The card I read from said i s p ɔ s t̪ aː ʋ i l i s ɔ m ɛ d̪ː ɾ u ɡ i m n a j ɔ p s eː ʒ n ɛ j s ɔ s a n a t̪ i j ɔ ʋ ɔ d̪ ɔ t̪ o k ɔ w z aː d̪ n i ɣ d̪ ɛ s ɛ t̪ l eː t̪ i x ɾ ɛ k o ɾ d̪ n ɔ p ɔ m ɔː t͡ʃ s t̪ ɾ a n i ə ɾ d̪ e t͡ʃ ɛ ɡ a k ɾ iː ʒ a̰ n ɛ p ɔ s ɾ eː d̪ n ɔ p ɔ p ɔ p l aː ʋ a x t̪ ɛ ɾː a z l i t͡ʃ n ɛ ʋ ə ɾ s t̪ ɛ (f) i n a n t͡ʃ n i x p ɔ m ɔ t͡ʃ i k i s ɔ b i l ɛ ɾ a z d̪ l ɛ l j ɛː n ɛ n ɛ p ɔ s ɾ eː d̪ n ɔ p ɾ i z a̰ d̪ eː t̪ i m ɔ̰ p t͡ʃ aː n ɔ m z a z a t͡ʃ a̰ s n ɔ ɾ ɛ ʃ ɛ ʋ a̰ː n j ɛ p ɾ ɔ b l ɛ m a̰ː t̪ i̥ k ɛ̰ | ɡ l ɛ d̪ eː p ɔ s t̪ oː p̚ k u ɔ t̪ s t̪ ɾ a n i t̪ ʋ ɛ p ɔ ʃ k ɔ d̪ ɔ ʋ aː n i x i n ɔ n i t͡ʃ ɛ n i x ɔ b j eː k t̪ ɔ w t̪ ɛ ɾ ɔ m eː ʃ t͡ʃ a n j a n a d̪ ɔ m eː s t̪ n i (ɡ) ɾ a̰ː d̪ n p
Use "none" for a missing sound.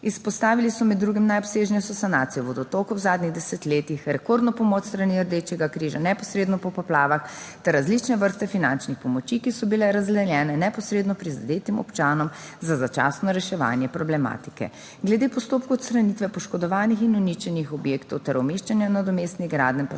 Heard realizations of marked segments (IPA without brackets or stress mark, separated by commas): f, ɡ